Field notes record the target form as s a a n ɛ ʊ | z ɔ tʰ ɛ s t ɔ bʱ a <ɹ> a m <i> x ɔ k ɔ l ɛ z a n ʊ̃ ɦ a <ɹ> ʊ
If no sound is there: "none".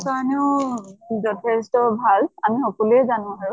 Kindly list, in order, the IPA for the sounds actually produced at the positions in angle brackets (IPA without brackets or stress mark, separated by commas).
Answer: l, i, ɹ